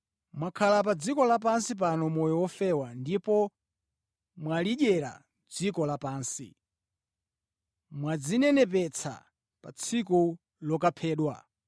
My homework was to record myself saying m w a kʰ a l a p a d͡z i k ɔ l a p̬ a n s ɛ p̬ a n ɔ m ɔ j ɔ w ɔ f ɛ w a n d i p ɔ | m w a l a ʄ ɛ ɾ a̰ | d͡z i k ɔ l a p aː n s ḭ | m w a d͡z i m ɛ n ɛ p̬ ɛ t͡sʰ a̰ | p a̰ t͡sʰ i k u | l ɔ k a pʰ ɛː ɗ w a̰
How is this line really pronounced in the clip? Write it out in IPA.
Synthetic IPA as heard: m w a kʰ a l a p a d͡z i k ɔ l a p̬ a n s i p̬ a n ɔ m ɔ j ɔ w ɔ f ɛ w a n d i p ɔ | m w a l i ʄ ɛ ɾ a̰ | d͡z i k ɔ l a p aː n s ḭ | m w a d͡z i n ɛ n ɛ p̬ ɛ t͡sʰ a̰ | p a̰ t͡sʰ i k u | l ɔ k a pʰ ɛː ɗ w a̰